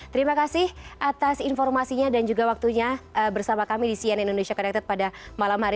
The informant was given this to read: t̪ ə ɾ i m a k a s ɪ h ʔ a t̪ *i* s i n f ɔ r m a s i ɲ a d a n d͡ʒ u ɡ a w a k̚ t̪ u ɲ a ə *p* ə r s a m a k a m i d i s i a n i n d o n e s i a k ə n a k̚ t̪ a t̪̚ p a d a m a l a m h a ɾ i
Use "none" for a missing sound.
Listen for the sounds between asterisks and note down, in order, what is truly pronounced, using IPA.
a, b

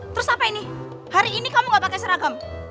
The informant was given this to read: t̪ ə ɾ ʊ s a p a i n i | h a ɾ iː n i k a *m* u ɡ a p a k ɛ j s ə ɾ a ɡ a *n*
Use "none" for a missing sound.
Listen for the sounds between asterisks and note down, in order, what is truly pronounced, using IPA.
m, m

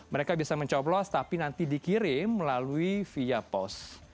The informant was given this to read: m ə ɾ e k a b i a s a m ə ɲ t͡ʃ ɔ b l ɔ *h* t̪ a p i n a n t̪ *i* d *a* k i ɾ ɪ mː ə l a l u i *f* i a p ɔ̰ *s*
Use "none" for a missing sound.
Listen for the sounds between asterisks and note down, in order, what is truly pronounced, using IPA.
s, i, i, f, s

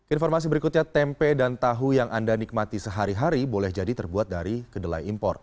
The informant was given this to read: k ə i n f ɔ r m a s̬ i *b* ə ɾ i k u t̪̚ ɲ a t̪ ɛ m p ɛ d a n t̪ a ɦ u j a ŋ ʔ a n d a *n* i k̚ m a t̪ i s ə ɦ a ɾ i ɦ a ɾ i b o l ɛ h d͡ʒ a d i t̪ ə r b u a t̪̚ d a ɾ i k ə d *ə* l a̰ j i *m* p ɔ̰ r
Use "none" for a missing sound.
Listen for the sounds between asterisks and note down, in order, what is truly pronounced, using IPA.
b, n, ə, m

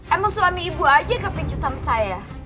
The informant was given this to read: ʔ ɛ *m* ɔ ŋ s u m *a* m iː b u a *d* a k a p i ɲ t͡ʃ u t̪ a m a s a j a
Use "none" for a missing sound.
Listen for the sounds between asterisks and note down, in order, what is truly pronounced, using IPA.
m, a, d͡ʒ

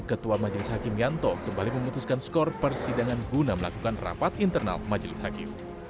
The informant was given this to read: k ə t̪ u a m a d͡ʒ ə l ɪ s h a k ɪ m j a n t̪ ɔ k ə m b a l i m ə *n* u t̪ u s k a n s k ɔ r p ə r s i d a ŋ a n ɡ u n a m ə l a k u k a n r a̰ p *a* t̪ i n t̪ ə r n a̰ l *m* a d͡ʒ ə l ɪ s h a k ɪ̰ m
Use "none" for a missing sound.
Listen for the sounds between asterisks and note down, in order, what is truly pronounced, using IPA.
m, a, m

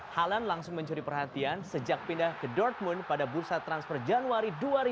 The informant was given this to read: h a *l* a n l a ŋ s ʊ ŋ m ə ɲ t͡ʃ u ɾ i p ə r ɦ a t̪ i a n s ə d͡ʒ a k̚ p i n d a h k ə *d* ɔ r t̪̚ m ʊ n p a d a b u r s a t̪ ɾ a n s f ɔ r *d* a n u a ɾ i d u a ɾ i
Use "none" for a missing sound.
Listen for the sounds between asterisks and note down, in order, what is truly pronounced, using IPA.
l, d, d͡ʒ

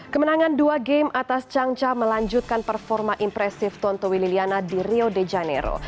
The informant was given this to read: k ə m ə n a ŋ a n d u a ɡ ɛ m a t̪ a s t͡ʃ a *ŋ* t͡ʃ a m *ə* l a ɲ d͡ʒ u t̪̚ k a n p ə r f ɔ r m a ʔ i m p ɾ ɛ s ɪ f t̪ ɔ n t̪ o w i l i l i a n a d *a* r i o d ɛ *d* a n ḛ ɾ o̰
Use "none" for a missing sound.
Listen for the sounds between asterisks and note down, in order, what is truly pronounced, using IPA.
ŋ, ə, i, d͡ʒ

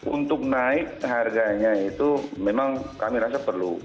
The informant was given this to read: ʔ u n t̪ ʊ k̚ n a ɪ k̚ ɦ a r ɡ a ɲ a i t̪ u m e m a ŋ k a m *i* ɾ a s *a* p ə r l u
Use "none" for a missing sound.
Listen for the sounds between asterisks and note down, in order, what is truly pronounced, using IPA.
i, a

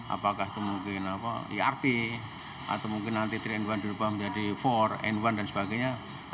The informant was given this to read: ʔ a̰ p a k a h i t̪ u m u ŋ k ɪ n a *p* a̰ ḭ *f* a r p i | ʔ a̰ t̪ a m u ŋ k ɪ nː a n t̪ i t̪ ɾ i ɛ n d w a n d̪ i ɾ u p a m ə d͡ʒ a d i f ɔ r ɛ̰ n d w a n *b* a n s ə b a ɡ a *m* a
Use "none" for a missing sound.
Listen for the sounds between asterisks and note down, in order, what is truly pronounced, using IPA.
p, none, d, ɲ

